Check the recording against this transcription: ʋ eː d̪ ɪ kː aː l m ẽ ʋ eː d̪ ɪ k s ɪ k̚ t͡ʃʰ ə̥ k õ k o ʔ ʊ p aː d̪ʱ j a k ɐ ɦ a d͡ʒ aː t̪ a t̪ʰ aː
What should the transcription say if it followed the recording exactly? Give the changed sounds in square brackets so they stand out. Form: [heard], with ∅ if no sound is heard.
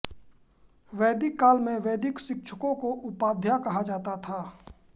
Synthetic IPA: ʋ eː d̪ ɪ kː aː l m ẽ ʋ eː d̪ ɪ k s ɪ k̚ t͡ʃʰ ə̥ k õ k o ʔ ʊ p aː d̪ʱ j a k ɐ ɦ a d͡ʒ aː t̪ a t̪ʰ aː